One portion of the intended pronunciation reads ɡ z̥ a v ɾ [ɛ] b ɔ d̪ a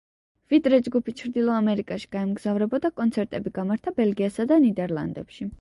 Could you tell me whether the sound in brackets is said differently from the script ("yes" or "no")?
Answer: no